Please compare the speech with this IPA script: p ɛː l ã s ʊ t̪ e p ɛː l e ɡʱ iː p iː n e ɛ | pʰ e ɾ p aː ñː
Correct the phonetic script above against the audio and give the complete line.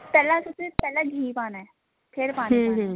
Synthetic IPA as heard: p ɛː l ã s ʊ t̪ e p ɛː l a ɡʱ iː p aː n a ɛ | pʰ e ɾ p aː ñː